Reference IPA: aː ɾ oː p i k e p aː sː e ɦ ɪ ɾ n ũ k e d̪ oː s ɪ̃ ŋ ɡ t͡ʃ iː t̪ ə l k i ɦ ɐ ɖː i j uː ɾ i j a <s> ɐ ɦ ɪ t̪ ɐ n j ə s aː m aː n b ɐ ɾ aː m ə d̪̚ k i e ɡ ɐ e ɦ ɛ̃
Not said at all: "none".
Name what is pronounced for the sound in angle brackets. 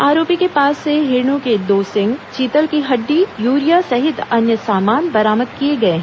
s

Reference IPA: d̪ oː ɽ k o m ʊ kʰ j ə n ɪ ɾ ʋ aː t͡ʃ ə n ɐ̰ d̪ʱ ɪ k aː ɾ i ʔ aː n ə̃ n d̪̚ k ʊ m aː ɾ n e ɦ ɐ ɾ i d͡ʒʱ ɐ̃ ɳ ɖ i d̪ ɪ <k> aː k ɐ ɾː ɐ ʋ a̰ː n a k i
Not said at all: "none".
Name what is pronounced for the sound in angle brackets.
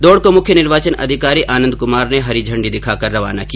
kʰ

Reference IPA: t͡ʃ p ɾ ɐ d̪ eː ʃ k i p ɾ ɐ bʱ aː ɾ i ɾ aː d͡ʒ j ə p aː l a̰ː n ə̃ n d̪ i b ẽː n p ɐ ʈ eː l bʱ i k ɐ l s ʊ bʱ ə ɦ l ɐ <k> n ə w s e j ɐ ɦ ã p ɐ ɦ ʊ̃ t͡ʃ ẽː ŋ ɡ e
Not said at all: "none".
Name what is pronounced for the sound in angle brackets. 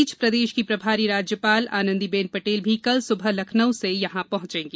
kʰ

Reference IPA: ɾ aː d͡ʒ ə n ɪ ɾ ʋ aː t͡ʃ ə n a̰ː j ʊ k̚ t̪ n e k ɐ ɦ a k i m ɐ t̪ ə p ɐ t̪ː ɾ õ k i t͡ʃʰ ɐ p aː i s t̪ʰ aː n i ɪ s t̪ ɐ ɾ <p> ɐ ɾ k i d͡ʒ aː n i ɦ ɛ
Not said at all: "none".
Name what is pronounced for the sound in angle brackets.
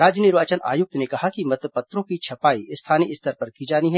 p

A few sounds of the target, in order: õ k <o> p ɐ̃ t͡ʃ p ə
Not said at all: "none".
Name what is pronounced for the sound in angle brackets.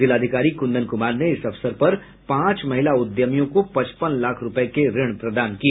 o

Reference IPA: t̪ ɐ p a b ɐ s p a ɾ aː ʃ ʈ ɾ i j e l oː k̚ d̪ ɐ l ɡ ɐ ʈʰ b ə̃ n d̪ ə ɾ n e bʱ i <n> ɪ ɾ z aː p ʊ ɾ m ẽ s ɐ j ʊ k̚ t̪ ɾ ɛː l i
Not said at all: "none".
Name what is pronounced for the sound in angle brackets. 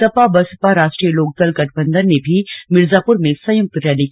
m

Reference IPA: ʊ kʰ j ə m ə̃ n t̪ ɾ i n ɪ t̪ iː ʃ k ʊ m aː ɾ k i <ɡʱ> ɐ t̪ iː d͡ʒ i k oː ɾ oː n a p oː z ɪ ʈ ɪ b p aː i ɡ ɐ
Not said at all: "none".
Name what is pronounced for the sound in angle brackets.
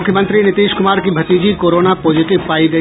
bʱ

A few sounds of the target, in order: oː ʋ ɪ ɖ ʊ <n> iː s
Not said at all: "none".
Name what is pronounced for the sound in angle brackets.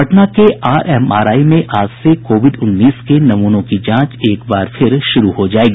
nː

